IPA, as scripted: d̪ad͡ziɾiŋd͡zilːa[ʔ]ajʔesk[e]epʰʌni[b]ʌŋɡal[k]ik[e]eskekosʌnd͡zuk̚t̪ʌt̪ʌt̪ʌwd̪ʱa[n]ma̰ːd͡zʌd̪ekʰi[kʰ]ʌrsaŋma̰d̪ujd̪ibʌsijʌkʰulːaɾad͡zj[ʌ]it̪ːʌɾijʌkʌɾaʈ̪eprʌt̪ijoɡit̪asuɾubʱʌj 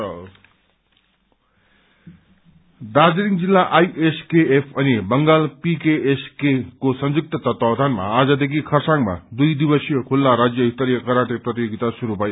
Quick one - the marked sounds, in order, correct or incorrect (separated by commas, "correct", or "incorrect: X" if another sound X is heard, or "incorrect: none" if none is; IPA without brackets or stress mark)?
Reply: correct, correct, correct, incorrect: p, correct, correct, correct, correct